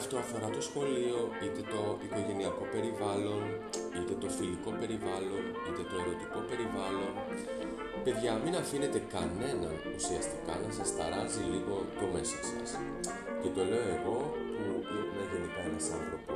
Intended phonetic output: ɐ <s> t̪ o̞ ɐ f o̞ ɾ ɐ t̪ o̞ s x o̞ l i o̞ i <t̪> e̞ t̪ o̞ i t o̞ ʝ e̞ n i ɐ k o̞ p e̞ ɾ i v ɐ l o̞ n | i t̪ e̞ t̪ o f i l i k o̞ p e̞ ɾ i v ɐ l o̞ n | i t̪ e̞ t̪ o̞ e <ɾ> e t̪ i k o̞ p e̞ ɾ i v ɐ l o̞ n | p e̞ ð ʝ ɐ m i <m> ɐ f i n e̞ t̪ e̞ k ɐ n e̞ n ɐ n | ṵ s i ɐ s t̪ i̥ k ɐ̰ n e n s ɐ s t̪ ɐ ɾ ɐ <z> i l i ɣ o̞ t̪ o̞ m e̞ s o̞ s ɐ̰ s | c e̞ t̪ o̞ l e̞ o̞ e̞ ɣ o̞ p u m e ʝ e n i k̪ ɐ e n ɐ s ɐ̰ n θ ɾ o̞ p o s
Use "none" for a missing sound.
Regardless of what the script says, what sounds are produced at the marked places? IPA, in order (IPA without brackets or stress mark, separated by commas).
f, t̪, ɾ, n, z